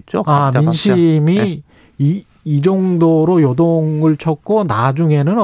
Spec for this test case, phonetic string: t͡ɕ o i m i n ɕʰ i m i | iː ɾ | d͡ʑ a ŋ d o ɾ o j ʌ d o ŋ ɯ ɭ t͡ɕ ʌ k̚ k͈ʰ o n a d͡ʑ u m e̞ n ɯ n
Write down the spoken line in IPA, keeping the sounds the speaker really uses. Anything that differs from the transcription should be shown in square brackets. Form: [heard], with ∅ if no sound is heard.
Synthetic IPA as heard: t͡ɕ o [a] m i n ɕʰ i m i | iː [∅] | d͡ʑ [ʌ] ŋ d o ɾ o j ʌ d o ŋ ɯ ɭ [t͡ɕʰ] ʌ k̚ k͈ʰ o n a d͡ʑ u [ŋ] e̞ n ɯ n